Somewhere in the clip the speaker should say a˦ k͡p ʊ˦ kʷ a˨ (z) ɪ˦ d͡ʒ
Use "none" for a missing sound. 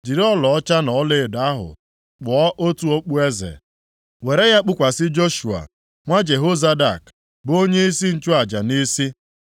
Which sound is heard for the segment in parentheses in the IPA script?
s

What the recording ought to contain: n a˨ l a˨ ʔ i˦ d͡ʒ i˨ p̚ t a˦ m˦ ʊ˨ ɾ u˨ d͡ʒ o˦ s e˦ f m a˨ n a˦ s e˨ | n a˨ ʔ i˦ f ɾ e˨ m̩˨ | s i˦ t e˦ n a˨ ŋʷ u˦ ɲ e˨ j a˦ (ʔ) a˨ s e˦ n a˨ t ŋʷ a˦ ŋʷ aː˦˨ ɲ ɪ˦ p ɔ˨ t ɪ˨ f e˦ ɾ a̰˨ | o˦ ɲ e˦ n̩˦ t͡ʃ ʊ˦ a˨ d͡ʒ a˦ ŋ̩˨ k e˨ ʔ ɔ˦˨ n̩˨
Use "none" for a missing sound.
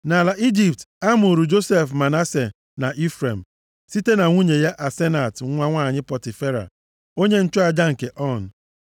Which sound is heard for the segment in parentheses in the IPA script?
ʔ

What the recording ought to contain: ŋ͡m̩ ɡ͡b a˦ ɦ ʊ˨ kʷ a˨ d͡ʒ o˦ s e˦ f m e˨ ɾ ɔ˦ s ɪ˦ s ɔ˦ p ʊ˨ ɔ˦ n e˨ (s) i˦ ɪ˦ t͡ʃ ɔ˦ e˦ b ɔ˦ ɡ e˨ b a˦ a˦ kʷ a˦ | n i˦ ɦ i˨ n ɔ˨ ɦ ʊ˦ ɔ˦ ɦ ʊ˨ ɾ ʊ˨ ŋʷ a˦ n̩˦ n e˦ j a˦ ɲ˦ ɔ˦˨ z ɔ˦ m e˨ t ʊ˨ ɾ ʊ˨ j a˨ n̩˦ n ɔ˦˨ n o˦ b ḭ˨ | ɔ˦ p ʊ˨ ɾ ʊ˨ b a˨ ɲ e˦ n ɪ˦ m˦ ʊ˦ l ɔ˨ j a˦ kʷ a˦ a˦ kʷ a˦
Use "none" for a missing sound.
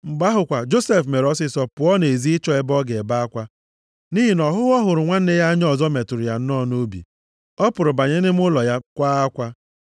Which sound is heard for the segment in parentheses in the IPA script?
z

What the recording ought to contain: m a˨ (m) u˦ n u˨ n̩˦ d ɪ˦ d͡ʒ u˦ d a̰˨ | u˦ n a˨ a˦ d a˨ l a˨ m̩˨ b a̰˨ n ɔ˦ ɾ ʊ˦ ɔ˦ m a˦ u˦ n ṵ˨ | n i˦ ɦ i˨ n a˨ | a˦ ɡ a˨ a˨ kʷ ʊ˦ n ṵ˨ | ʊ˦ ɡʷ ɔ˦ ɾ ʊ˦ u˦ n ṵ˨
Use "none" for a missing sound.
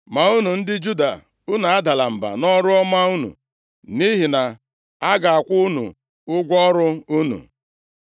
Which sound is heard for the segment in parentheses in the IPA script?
none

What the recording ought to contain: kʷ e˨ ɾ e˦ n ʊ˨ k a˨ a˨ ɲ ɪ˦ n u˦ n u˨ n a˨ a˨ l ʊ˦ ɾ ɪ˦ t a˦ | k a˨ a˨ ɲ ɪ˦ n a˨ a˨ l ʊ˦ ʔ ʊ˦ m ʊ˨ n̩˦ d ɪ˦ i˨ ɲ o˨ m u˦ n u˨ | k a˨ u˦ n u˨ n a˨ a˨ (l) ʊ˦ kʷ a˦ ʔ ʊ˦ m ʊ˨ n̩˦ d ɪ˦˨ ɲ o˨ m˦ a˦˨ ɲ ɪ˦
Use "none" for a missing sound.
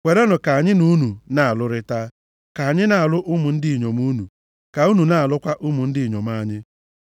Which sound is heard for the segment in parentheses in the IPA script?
l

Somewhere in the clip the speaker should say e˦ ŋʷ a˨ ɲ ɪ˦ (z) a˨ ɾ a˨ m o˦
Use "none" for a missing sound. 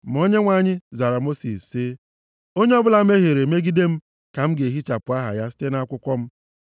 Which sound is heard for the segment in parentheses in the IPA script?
z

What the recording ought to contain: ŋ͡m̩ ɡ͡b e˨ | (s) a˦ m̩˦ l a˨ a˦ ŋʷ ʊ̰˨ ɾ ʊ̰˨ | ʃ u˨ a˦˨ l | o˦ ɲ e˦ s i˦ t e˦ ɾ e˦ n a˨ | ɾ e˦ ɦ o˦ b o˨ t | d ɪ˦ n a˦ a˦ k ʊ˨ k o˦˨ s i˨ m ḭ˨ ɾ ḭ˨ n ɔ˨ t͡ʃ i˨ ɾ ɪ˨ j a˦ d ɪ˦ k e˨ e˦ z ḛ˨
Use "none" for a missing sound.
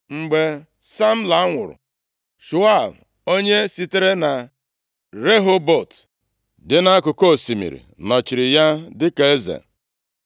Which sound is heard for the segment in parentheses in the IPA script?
s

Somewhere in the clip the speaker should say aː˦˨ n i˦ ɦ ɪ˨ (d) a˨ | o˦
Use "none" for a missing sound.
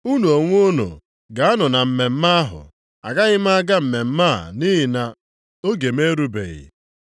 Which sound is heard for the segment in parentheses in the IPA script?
n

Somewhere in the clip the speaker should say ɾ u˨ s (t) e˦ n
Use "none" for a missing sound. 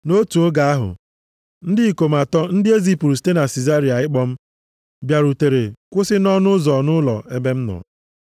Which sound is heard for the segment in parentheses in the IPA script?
t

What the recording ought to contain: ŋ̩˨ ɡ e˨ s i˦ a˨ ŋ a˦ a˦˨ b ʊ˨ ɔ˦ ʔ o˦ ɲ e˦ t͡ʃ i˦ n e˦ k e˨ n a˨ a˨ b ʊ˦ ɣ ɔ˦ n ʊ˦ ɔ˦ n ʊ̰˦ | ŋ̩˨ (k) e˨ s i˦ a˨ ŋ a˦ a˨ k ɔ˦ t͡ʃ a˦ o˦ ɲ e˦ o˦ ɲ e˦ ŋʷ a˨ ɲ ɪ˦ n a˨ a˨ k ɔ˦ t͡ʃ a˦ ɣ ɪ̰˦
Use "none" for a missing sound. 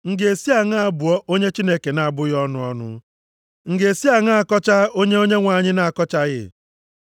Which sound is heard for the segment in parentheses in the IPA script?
ɡ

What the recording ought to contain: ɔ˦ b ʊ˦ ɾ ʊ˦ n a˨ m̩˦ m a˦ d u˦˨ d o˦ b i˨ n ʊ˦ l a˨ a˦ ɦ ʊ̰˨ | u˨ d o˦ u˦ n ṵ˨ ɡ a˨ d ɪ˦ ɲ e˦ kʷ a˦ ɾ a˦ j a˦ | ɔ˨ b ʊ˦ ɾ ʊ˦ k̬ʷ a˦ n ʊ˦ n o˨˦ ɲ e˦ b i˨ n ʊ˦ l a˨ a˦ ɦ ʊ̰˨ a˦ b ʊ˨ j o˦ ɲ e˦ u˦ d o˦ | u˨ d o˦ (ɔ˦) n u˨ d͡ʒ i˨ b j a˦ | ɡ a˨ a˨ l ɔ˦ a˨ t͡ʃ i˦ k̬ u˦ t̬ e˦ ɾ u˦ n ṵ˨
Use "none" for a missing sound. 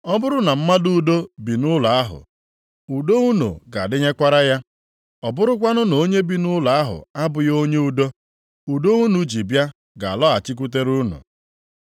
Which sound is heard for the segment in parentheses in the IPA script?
u˦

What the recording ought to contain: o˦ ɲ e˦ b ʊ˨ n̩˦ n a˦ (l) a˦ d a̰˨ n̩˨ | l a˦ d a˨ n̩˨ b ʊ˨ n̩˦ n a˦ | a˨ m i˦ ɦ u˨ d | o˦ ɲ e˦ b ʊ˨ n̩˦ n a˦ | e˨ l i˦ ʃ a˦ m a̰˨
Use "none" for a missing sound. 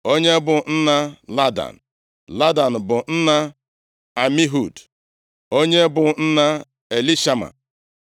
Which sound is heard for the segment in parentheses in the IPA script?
l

